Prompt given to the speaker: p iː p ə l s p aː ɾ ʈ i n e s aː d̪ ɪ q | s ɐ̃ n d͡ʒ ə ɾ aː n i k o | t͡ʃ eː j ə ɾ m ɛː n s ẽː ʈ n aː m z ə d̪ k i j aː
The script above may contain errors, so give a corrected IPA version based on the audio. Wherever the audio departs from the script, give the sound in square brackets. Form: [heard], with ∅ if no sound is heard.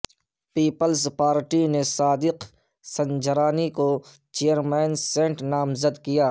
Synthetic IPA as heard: p iː p ə l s p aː ɾ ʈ i n e s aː d̪ ɪ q | s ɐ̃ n d͡ʒ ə ɾ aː n i k o | t͡ʃ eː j ə ɾ m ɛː n s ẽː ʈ n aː m z ə d̪ k i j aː